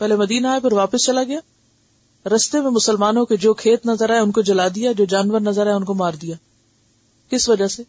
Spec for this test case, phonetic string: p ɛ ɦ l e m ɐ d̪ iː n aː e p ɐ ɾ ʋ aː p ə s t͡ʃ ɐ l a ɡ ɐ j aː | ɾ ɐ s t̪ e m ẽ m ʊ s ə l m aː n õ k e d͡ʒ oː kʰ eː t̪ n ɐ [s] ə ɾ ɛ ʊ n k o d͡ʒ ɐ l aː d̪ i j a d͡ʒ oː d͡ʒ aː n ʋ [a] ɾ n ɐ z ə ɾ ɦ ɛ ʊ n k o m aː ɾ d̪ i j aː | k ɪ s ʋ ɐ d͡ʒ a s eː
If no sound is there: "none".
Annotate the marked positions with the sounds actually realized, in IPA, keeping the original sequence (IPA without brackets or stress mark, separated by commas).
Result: z, ə